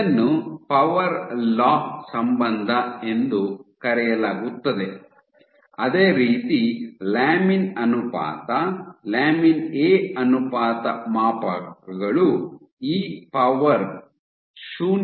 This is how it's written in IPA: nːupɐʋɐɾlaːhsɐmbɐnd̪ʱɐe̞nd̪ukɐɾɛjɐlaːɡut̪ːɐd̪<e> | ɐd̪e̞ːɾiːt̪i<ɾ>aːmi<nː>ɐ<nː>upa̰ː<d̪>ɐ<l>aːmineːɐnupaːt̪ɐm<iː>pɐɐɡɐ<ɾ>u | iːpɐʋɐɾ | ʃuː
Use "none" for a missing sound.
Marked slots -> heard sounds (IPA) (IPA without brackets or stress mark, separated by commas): e, l, n, n, t̪, l, aː, ɭ